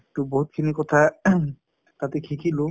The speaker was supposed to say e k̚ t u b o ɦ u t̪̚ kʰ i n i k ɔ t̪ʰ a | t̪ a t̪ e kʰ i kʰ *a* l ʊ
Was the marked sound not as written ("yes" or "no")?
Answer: yes